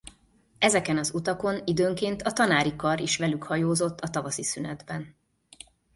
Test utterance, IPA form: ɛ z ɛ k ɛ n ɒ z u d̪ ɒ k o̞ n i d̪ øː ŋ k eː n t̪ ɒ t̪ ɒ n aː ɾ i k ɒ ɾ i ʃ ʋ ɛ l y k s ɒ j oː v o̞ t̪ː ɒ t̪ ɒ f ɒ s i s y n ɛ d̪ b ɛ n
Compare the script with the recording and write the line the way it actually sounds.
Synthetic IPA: ɛ z ɛ k ɛ n ɒ z u t̪ ɒ k o̞ n i d̪ øː ŋ k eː n t̪ ɒ t̪ ɒ n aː ɾ i k ɒ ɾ i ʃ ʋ ɛ l y k h ɒ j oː z o̞ t̪ː ɒ t̪ ɒ v ɒ s i s y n ɛ d̪ b ɛ n